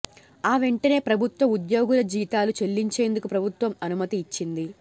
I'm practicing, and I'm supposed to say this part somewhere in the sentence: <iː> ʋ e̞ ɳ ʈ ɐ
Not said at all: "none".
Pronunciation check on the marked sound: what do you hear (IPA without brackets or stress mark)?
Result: aː